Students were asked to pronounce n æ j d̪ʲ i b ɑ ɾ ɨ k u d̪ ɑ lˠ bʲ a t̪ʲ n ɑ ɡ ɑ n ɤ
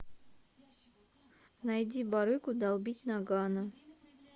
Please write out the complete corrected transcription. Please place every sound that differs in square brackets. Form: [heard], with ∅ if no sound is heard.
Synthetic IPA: n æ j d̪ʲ i b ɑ ɾ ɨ k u d̪ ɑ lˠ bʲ [i] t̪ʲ n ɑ ɡ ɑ n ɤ